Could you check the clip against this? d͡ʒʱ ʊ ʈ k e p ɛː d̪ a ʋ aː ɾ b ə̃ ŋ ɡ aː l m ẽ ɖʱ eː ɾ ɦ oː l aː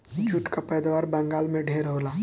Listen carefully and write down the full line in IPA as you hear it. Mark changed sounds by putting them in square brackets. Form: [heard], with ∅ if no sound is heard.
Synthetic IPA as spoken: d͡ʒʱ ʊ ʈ k [a] p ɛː d̪ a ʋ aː ɾ b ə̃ ŋ ɡ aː l m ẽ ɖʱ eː ɾ ɦ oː l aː